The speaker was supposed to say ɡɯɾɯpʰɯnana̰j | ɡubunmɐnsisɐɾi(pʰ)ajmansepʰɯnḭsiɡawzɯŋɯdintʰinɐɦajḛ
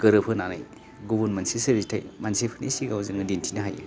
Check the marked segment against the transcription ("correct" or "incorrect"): incorrect